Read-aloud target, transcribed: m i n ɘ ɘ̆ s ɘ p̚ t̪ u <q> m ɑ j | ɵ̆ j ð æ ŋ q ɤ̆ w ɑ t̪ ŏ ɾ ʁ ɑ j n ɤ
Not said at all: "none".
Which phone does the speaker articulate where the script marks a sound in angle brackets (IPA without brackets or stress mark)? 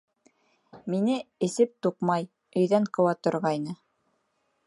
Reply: q